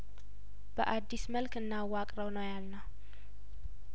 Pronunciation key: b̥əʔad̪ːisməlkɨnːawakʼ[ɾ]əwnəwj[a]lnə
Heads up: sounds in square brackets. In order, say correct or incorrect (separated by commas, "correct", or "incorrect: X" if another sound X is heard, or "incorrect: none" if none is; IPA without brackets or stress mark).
correct, correct